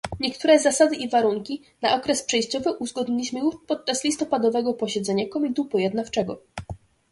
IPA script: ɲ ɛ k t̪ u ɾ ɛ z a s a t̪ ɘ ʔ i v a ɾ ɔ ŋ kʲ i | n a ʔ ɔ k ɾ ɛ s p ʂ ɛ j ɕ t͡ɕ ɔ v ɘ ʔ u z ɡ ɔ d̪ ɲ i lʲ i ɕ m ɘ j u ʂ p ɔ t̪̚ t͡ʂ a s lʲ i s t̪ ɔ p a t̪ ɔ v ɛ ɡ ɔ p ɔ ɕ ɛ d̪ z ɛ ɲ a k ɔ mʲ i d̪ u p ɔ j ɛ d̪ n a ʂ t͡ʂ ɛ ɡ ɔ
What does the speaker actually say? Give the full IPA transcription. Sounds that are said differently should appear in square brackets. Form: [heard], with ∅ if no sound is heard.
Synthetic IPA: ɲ ɛ k t̪ u ɾ ɛ z a s a [d̪] ɘ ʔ i v a ɾ [u] ŋ kʲ i | n a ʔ ɔ k ɾ ɛ s p ʂ ɛ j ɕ t͡ɕ ɔ v ɘ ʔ u z ɡ ɔ d̪ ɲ i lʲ i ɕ m ɘ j u ʂ p ɔ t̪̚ t͡ʂ a s lʲ i s t̪ ɔ p a [d̪] ɔ v ɛ ɡ ɔ p ɔ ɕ ɛ d̪ z ɛ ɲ a k ɔ mʲ i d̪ u p ɔ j ɛ d̪ n a [f] t͡ʂ ɛ ɡ ɔ